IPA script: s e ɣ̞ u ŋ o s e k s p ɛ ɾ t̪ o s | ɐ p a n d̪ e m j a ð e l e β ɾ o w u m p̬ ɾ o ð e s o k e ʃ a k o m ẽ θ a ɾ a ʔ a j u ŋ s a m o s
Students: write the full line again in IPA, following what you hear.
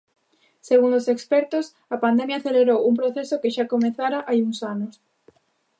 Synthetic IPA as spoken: s e ɣ̞ u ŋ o s e k s p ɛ ɾ t̪ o s | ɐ p a n d̪ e m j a θ e l e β ɾ o w u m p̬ ɾ o θ e s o k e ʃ a k o m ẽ θ a ɾ a ʔ a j u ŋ s a n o s